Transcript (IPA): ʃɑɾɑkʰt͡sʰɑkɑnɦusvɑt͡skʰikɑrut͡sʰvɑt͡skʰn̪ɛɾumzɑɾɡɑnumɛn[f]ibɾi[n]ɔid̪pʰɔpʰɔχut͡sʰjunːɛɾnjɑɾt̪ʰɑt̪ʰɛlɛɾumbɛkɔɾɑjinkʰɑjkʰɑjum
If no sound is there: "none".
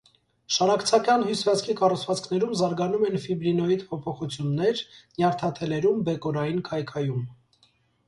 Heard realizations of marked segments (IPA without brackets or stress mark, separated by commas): f, n